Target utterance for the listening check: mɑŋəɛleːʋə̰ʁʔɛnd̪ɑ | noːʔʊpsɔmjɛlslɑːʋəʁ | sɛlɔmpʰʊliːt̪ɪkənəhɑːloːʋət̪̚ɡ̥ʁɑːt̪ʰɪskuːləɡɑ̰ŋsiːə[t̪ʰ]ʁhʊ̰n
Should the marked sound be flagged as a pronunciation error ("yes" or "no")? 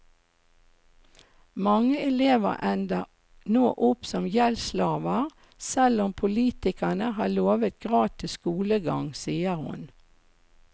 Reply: yes